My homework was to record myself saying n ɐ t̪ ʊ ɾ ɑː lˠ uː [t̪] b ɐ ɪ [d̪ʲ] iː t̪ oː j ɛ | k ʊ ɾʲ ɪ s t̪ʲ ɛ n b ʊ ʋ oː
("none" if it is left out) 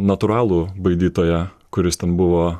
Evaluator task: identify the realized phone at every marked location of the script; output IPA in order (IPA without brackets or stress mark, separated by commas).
none, d̪ʲ